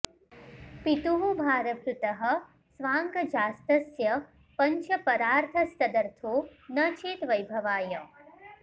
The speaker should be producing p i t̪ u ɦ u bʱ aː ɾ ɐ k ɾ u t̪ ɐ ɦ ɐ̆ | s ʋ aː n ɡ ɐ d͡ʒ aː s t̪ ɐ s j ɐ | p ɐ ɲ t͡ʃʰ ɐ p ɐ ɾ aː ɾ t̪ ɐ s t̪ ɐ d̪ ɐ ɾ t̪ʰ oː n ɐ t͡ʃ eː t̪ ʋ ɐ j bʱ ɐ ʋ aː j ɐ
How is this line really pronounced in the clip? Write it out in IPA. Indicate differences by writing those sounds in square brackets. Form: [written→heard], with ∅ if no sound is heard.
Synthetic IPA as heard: p i t̪ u ɦ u bʱ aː ɾ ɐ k ɾ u t̪ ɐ ɦ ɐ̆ | s ʋ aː [n→ŋ] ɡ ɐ d͡ʒ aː s t̪ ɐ s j ɐ | p ɐ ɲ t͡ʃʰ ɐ p ɐ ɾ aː ɾ [t̪→t̪ʰ] ɐ s t̪ ɐ d̪ ɐ ɾ t̪ʰ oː n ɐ t͡ʃ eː t̪ ʋ ɐ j bʱ ɐ ʋ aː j ɐ